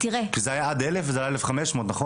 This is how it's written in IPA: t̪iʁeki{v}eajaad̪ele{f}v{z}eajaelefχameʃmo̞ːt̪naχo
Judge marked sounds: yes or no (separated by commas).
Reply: no, yes, yes